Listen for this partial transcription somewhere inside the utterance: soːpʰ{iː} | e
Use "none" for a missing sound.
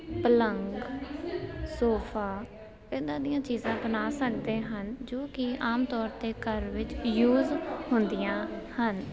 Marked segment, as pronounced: aː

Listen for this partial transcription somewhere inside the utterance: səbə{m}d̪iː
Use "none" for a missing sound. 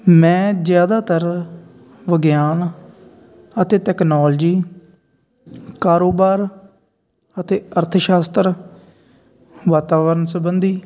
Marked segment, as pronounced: n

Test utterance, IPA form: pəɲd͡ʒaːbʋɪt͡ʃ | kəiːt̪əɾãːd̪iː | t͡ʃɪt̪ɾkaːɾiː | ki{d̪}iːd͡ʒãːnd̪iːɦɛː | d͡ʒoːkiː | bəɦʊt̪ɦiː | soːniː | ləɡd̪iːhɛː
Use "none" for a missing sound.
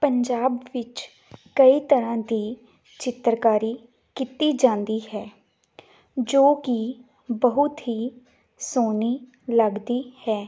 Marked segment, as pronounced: t̪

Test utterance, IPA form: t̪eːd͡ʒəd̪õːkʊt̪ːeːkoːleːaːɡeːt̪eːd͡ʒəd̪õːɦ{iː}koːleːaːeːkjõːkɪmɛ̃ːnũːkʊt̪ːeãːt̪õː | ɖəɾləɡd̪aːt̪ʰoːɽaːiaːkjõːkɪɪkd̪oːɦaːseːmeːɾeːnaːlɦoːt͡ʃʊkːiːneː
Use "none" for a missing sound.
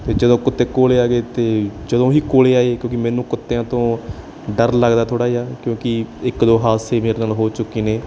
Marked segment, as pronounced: iː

